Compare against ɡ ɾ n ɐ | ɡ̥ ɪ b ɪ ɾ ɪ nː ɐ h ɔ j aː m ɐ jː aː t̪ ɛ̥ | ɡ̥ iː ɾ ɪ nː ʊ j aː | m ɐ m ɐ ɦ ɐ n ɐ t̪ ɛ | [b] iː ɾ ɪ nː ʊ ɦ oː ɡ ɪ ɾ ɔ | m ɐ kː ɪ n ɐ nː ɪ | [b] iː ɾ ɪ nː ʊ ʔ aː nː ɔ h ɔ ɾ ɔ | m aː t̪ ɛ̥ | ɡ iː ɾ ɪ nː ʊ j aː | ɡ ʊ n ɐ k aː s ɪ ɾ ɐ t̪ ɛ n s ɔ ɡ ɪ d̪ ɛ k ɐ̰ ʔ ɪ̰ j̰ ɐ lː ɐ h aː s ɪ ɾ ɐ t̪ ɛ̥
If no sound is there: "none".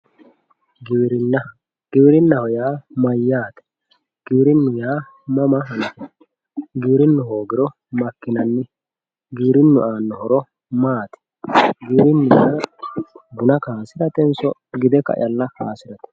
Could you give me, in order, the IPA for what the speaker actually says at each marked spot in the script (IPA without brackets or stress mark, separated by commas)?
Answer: ɡ, ɡ